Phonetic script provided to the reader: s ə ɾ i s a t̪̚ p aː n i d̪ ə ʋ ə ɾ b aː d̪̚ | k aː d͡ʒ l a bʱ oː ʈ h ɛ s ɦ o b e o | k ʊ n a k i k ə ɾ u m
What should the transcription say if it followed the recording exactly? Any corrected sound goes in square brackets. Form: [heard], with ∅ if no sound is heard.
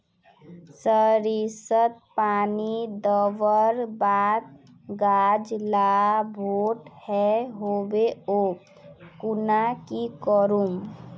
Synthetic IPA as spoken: s ə ɾ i s [ə] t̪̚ p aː n i d̪ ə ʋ ə ɾ b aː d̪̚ | [ɡ] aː d͡ʒ l a bʱ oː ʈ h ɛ [∅] ɦ o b e o | k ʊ n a k i k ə ɾ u m